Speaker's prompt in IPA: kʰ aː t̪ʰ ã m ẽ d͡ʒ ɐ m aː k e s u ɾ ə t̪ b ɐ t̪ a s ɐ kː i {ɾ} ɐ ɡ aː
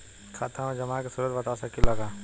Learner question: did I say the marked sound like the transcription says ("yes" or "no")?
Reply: no